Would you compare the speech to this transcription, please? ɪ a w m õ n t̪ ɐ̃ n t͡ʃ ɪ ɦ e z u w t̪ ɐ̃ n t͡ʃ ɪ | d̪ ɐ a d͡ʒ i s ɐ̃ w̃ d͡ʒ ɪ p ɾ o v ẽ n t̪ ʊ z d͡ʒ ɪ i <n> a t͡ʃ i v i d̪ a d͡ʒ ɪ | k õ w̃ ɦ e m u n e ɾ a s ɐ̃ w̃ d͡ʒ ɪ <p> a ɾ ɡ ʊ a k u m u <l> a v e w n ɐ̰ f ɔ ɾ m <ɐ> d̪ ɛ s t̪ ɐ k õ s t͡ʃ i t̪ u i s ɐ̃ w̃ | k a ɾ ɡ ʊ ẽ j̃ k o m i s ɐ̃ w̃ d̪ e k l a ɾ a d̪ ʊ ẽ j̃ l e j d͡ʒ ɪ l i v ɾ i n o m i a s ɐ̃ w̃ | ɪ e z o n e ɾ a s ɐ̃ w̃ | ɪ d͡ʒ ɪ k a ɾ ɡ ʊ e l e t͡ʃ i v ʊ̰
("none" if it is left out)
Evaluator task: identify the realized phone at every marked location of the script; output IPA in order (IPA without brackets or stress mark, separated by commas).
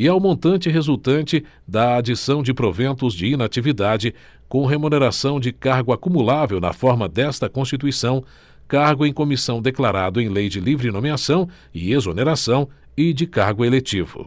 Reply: n, k, l, ɐ